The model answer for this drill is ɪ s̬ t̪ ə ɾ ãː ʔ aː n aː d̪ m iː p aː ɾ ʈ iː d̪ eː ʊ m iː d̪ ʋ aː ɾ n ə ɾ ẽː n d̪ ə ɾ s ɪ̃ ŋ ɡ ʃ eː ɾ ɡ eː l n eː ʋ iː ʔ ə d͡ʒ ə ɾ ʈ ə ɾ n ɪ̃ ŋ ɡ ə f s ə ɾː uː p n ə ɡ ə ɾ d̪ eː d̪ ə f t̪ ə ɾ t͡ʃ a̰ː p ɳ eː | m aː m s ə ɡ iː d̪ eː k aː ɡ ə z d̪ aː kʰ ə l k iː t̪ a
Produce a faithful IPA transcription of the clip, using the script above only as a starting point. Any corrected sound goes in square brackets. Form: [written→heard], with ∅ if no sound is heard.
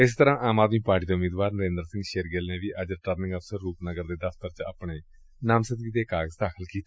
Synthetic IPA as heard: ɪ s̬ t̪ ə ɾ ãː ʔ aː [n→m] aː d̪ m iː p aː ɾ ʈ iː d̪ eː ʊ m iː d̪ ʋ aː ɾ n ə ɾ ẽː n d̪ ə ɾ s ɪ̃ ŋ ɡ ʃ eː ɾ ɡ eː l n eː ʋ iː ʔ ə d͡ʒ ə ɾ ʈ ə ɾ n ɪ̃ ŋ ɡ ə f s ə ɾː uː p n ə ɡ ə ɾ d̪ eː d̪ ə f t̪ ə ɾ t͡ʃ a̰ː p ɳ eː | [m→n] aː m s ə ɡ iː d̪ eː k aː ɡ ə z d̪ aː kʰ ə l k iː t̪ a